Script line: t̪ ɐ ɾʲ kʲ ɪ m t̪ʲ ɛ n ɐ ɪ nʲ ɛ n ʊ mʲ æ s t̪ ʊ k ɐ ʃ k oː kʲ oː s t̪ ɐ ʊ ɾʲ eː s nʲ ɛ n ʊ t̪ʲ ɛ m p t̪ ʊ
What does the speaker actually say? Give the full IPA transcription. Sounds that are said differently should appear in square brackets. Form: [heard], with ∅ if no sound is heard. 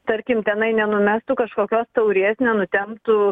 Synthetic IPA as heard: t̪ ɐ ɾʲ kʲ ɪ m t̪ʲ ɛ n ɐ ɪ nʲ ɛ n ʊ mʲ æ s t̪ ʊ k ɐ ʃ k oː kʲ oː s t̪ ɐ ʊ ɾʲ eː s nʲ ɛ n ʊ t̪ʲ ɛ m p t̪ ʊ